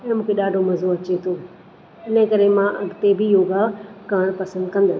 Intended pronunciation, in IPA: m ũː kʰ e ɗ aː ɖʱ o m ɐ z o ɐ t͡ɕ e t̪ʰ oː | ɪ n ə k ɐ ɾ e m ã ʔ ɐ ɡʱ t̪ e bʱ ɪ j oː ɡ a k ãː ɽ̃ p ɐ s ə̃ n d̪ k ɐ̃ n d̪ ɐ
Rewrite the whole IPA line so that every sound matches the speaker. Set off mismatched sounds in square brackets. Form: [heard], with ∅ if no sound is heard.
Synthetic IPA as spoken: m ũː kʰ e ɗ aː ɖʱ o m ɐ z o ɐ t͡ɕ e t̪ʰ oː | ɪ n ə k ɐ ɾ e m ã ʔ ɐ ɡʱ t̪ e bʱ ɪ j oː ɡ a k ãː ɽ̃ p ɐ s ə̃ n d̪ k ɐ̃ n d̪ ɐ